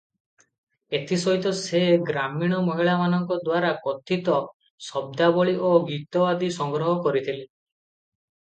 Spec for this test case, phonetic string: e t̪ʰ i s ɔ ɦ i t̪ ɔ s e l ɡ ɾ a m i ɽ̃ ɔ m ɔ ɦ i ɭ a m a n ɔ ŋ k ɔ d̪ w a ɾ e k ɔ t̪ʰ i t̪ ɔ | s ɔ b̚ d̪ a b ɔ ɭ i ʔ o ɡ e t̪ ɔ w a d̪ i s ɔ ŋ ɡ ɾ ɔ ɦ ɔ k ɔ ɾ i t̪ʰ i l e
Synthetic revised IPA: e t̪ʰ i s ɔ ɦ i t̪ ɔ s e ɡ ɾ a m i ɽ̃ ɔ m ɔ ɦ i ɭ a m a n ɔ ŋ k ɔ d̪ w a ɾ a k ɔ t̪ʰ i t̪ ɔ | s ɔ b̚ d̪ a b ɔ ɭ i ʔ o ɡ i t̪ ɔ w a d̪ i s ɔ ŋ ɡ ɾ ɔ ɦ ɔ k ɔ ɾ i t̪ʰ i l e